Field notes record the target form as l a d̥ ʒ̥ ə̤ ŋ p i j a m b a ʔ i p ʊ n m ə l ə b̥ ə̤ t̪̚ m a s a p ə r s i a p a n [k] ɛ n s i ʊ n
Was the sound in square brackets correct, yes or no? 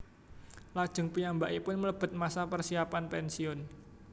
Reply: no